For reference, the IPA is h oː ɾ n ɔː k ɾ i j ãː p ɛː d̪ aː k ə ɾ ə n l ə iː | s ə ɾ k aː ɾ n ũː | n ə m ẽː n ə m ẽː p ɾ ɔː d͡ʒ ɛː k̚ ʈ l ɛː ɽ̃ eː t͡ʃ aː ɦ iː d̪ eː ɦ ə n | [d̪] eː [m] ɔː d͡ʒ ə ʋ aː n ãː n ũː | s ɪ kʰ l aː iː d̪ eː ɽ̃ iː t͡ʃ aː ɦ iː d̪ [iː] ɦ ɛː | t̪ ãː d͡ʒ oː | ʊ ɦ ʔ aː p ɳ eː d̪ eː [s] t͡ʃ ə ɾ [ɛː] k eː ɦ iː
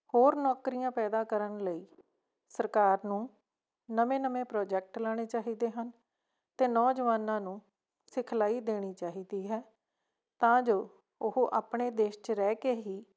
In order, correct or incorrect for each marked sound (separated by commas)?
incorrect, incorrect, correct, incorrect, correct